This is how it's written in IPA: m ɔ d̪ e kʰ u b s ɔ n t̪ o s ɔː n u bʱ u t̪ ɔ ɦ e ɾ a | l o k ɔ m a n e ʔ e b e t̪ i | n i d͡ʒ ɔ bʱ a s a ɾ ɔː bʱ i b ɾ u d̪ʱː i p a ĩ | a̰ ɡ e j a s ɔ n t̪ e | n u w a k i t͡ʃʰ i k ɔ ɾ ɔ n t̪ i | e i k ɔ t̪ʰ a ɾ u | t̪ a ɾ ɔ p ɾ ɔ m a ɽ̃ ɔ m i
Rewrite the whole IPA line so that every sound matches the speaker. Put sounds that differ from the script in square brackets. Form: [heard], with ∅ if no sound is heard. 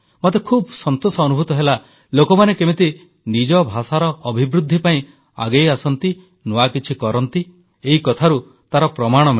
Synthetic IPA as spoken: m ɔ [t̪] e kʰ u b s ɔ n t̪ o s ɔː n u bʱ u t̪ ɔ ɦ e [l] a | l o k ɔ m a n e [k] e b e t̪ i | n i d͡ʒ ɔ bʱ a s a ɾ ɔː bʱ i b ɾ u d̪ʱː i p a ĩ | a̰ ɡ e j a s ɔ n t̪ [i] | n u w a k i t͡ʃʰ i k ɔ ɾ ɔ n t̪ i | e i k ɔ t̪ʰ a ɾ u | t̪ a ɾ ɔ p ɾ ɔ m a ɽ̃ ɔ m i